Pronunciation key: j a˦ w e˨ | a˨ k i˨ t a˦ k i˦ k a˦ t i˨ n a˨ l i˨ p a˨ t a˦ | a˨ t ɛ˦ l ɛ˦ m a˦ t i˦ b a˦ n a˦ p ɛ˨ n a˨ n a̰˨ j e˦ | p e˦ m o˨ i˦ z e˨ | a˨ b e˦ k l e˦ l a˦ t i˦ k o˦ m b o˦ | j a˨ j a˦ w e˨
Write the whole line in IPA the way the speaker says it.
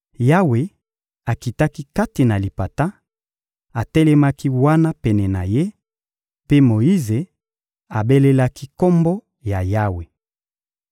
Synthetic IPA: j a˦ w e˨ | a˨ k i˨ t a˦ k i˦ k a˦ t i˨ n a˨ l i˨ p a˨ t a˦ | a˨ t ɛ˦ l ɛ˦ m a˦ k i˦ w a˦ n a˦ p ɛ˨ n ɛ˨ n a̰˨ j e˦ | p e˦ m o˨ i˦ z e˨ | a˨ b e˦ l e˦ l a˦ k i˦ k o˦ m b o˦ | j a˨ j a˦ w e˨